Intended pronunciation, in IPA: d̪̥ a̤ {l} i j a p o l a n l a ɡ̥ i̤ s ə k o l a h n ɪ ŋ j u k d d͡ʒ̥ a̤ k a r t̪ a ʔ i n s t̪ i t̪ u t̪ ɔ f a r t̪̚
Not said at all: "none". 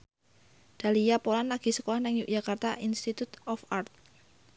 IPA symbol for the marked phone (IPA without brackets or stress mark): l